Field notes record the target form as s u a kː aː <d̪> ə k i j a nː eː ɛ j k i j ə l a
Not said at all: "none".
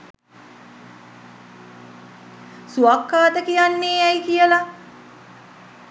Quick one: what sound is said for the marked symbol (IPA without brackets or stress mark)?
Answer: t̪